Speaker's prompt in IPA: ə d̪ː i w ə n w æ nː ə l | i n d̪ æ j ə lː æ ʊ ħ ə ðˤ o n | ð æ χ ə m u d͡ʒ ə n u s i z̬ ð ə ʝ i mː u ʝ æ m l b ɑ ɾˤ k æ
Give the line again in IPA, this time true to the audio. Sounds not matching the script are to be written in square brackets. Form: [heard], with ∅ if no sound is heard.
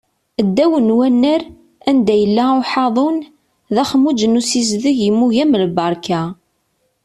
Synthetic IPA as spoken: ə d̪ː [æ] w ə n w æ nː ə [ɾ] | [æ] n d̪ æ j ə lː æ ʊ ħ [ɑ] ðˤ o n | ð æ χ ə m u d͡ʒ ə n u s i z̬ ð ə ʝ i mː u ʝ æ m l b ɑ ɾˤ k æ